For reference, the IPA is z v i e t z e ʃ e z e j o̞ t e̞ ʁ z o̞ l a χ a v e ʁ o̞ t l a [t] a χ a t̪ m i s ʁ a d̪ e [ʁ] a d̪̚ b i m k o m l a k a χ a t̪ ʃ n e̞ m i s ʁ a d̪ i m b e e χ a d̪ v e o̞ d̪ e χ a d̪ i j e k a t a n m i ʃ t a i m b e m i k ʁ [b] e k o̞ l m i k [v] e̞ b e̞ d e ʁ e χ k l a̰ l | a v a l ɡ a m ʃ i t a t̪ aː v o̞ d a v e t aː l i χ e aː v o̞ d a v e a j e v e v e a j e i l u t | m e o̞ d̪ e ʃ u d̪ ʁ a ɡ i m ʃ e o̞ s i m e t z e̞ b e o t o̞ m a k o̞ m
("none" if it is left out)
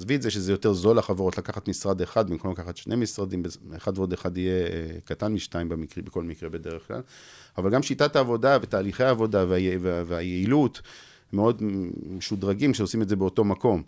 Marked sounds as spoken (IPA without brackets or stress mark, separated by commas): k, χ, b, ʁ